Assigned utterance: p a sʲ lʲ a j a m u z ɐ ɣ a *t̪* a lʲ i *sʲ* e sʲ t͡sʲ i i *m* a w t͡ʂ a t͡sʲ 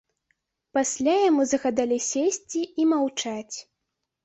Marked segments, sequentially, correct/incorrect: incorrect, correct, correct

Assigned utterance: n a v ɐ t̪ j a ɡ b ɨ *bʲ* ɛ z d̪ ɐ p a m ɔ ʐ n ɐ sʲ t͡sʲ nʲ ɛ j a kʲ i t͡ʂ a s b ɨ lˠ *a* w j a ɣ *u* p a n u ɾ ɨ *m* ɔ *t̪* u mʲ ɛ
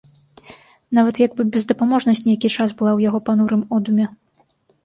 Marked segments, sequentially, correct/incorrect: correct, correct, incorrect, correct, incorrect

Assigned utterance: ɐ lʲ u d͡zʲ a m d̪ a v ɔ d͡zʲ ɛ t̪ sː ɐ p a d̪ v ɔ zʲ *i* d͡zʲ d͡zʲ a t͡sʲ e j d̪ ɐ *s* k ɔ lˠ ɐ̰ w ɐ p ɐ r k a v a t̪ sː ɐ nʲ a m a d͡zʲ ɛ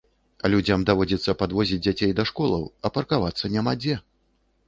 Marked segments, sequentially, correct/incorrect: correct, incorrect

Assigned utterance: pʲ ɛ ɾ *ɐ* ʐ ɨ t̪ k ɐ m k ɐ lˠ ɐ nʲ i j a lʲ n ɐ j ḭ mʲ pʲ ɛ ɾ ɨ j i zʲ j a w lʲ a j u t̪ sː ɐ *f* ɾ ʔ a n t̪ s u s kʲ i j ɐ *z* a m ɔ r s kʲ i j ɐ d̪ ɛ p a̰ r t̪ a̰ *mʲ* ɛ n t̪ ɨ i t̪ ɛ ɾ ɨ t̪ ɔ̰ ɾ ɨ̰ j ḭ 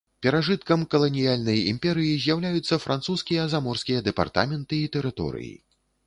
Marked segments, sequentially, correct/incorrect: incorrect, correct, correct, correct

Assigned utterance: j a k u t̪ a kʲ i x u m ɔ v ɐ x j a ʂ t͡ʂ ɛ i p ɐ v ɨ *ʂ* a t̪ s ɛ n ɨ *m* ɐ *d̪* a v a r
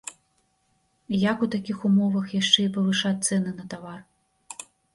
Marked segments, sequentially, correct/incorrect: correct, incorrect, incorrect

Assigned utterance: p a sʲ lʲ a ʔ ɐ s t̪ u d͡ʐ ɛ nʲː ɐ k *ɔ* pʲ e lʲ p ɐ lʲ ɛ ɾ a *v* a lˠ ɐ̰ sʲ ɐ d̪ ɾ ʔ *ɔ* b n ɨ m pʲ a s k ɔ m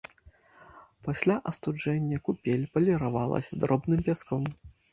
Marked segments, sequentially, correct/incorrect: incorrect, correct, correct

